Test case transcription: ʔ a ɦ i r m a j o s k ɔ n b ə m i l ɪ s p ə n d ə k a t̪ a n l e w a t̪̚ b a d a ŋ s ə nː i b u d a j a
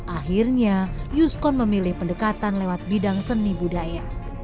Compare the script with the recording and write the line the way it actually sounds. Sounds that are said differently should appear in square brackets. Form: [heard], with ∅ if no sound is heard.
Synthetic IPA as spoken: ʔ a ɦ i r [ɲ] a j [u] s k ɔ n [m] ə m i l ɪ [h] p ə n d ə k a t̪ a n l e w a t̪̚ b [i] d a ŋ s ə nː i b u d a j a